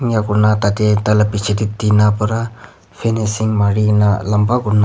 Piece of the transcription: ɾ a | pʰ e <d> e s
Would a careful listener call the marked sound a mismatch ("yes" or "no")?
yes